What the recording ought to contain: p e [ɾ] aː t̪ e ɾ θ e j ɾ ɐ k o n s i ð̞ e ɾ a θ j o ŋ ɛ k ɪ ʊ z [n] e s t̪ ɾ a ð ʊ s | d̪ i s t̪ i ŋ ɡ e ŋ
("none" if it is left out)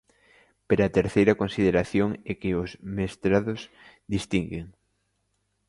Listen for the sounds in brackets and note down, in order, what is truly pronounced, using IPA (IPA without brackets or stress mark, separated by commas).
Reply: ɾ, m